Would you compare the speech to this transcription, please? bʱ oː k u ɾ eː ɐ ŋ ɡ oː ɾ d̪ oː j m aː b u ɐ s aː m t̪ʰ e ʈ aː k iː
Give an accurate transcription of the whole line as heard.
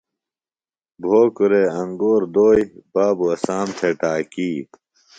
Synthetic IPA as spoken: bʱ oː k u ɾ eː ɐ ŋ ɡ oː ɾ d̪ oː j b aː b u ɐ s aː m t̪ʰ e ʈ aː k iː